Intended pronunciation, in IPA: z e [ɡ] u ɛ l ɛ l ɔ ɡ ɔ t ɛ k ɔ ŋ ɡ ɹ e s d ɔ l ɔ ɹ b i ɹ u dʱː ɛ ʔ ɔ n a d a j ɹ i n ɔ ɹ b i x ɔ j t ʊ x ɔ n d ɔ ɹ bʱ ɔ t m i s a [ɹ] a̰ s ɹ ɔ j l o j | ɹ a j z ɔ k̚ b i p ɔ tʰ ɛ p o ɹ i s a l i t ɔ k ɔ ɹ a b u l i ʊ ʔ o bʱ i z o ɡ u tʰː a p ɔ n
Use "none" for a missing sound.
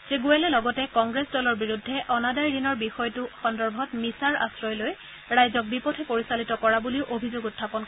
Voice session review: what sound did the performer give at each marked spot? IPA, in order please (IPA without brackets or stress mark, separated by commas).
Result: ɡ, ɹ